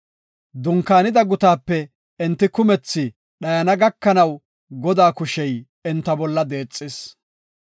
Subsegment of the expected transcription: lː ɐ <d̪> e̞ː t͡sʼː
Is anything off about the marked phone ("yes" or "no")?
no